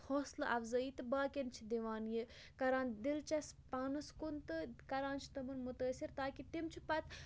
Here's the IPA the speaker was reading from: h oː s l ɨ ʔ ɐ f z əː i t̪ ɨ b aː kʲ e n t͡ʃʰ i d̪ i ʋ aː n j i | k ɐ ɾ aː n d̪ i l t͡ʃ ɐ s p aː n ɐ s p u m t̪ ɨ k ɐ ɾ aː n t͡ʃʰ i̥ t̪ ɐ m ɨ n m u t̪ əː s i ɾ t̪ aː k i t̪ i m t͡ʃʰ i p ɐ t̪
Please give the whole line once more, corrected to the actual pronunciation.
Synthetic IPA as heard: h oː s l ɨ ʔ ɐ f z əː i t̪ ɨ b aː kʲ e n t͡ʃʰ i d̪ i ʋ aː n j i | k ɐ ɾ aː n d̪ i l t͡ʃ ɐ s p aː n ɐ s k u n t̪ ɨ k ɐ ɾ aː n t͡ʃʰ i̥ t̪ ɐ m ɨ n m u t̪ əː s i ɾ t̪ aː k i t̪ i m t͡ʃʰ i p ɐ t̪